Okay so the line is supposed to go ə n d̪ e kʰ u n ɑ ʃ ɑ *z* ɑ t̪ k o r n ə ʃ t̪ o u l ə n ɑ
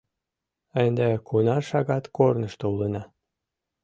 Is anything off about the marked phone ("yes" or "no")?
yes